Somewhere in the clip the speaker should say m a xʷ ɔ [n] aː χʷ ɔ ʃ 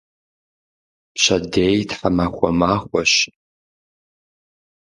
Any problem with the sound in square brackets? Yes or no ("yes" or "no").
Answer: yes